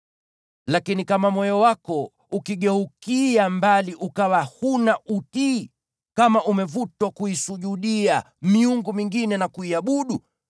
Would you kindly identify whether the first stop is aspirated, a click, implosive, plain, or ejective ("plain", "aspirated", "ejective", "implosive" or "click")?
plain